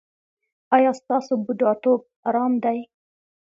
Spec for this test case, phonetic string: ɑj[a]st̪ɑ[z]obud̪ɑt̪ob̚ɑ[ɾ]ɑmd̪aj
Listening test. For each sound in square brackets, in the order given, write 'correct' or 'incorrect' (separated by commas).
incorrect, incorrect, correct